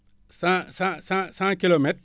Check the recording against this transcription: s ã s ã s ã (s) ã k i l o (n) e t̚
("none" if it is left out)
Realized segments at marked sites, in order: s, m

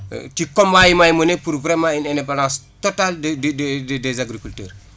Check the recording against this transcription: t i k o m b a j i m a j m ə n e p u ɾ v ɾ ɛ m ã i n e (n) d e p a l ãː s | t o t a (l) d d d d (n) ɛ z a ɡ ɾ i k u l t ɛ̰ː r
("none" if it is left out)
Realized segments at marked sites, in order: n, l, d

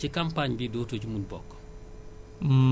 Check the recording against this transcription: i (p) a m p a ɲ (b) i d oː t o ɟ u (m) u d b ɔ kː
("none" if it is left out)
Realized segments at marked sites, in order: k, b, m

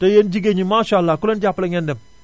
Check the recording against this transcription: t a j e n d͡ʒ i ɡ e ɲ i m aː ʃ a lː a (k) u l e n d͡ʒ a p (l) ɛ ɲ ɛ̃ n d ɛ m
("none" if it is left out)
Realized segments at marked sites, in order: k, l

